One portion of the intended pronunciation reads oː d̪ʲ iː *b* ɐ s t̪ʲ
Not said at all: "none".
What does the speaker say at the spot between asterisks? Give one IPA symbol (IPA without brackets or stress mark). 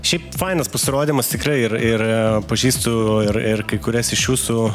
m